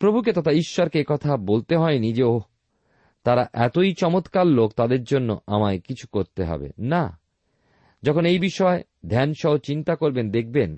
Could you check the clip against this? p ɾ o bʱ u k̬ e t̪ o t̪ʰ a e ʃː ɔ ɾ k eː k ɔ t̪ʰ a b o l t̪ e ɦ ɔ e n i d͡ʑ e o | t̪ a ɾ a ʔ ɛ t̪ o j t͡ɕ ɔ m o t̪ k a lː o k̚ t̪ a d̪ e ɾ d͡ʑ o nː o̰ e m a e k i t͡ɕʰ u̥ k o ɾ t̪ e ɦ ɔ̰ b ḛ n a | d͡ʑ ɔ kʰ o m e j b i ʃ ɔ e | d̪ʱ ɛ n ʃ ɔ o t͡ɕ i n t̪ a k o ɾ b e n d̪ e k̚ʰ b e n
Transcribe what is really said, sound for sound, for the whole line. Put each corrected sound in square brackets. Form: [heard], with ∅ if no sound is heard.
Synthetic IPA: p ɾ o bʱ u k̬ e t̪ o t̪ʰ a [i] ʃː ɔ ɾ k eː k ɔ t̪ʰ a b o l t̪ e ɦ ɔ e n i d͡ʑ e o | t̪ a ɾ a ʔ ɛ t̪ o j t͡ɕ ɔ m o t̪ k a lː o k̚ t̪ a d̪ e ɾ d͡ʑ o nː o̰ [a] m a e k i t͡ɕʰ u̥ k o ɾ t̪ e ɦ ɔ̰ b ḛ n a | d͡ʑ ɔ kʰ o [n] e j b i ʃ ɔ e | d̪ʱ ɛ n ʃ ɔ o t͡ɕ i n t̪ a k o ɾ b e n d̪ e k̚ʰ b e n